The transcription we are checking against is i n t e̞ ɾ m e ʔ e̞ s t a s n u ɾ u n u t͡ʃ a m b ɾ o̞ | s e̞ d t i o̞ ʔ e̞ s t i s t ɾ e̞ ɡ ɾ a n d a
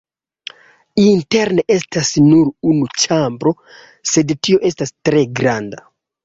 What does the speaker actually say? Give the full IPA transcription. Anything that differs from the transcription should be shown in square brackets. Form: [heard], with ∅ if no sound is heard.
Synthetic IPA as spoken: i n t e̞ ɾ [n] e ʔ e̞ s t a s n u ɾ u n u t͡ʃ a m b ɾ o̞ | s e̞ d t i o̞ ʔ e̞ s t [a] s t ɾ e̞ ɡ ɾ a n d a

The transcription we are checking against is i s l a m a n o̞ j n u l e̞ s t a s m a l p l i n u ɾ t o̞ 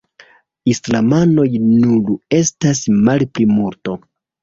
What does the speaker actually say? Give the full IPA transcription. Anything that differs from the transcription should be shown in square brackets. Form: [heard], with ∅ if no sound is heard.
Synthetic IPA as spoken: i s l a m a n o̞ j n u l e̞ s t a s m a l p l i [m] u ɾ t o̞

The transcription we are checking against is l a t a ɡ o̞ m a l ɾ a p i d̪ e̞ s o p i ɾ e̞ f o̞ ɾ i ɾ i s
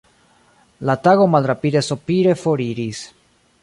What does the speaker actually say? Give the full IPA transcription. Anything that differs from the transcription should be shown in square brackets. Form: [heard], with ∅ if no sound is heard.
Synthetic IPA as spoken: l a t a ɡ o̞ m a l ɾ a p i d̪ e̞ s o p i ɾ e̞ f o̞ ɾ i ɾ i s

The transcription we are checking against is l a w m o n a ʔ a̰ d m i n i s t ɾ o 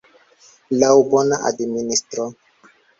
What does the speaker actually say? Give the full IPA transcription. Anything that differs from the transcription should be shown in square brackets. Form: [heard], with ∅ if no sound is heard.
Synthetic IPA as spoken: l a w [b] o n a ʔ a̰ d m i n i s t ɾ o

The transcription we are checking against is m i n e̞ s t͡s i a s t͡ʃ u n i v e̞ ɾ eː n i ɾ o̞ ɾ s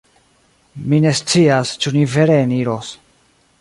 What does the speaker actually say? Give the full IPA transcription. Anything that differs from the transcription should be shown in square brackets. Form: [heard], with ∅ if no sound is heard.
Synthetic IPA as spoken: m i n e̞ s t͡s i a s t͡ʃ u n i v e̞ ɾ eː n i ɾ o̞ [∅] s

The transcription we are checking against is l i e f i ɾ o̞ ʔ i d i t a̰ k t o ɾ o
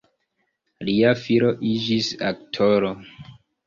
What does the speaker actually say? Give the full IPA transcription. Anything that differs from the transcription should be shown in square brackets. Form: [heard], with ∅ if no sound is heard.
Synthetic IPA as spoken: l i [a] f i ɾ o̞ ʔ i [d͡ʒ] i [s] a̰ k [tʰ] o ɾ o

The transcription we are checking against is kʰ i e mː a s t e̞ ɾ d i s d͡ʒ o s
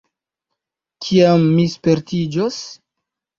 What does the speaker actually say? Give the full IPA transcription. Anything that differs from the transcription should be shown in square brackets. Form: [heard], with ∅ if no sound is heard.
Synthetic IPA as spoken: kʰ i [a] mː [i] s [p] e̞ ɾ [t] i [∅] d͡ʒ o s

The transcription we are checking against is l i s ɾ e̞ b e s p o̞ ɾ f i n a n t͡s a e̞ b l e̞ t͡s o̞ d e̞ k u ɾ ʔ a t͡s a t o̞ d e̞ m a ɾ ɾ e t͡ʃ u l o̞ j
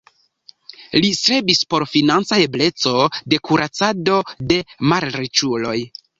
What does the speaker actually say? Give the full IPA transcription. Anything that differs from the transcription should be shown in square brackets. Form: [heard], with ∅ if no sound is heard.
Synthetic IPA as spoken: l i s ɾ e̞ b [i] s p o̞ ɾ f i n a n t͡s a e̞ b l e̞ t͡s o̞ d e̞ k u ɾ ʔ a t͡s a [d] o̞ d e̞ m a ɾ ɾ e t͡ʃ u l o̞ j

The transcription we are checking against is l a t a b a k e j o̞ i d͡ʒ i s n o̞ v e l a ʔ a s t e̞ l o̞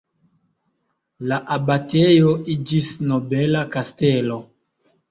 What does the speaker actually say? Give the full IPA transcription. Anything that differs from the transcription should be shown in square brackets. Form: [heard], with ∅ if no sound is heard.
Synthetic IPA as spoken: l a [ʔ] a b a [t] e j o̞ i d͡ʒ i s n o̞ [b] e l a [k] a s t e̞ l o̞

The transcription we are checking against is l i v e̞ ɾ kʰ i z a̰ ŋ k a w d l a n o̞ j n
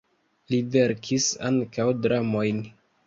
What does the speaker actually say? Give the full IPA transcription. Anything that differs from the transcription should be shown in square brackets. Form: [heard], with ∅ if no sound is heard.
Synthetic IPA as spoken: l i v e̞ ɾ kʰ i [s] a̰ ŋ k a w d [ɾ] a [m] o̞ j n

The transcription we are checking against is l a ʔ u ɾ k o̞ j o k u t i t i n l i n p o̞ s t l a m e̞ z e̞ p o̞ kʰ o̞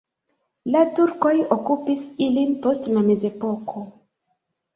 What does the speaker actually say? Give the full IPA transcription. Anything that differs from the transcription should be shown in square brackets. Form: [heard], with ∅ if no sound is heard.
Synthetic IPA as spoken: l a [t] u ɾ k o̞ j o k u [p] i [s] i [∅] l i n p o̞ s t l a m e̞ z e̞ p o̞ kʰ o̞

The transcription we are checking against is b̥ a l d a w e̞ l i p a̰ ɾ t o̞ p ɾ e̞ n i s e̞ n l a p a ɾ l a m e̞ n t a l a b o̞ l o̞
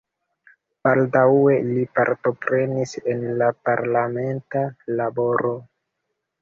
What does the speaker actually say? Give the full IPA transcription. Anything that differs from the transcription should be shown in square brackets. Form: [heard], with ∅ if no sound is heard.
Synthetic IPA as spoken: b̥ a l d a w e̞ l i p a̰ ɾ t o̞ p ɾ e̞ n i s e̞ n l a p a ɾ l a m e̞ n t a l a b o̞ [ɾ] o̞

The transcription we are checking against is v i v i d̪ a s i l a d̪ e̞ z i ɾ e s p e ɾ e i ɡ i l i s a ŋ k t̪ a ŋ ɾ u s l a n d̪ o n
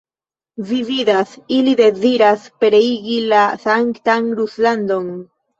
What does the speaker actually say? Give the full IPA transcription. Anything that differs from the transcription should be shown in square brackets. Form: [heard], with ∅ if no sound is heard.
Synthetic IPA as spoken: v i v i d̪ a s i l [i] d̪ e̞ z i ɾ [a] s p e ɾ e i ɡ i l [a] s a ŋ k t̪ a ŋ ɾ u s l a n d̪ o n

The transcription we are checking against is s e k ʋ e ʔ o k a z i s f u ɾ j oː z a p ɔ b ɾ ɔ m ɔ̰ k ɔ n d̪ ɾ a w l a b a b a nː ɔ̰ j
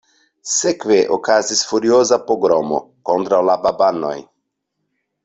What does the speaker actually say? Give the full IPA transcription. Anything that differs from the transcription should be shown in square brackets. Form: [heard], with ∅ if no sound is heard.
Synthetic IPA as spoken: s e k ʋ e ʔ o k a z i s f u ɾ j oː z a p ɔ [ɡ] ɾ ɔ m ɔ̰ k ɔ n d̪ ɾ a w l a b a b a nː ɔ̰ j

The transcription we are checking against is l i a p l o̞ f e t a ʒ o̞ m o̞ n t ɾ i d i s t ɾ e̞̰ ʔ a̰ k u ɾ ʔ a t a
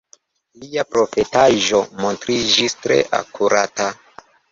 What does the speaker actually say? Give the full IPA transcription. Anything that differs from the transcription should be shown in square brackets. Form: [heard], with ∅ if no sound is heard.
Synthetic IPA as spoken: l i a p [ɾ] o̞ f e t a ʒ o̞ m o̞ n t ɾ i [d͡ʒ] i s t ɾ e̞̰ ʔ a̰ k u ɾ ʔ a t a

